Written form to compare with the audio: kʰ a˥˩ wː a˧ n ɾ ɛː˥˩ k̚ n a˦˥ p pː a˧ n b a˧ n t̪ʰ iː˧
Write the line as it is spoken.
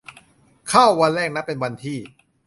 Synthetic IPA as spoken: kʰ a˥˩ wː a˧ n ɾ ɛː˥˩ k̚ n a˦˥ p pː e˧ n w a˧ n t̪ʰ iː˥˩